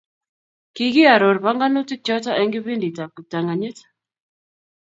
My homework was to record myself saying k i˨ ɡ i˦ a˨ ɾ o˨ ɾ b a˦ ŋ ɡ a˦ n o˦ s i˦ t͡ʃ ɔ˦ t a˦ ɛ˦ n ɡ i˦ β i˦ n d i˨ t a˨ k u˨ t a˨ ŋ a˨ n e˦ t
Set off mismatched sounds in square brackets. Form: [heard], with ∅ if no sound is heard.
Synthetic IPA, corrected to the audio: k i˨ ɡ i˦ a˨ ɾ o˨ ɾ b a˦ ŋ ɡ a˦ n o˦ [t] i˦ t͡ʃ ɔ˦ t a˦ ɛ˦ [ŋ] ɡ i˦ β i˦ n d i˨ t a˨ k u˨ t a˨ ŋ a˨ [ɲ] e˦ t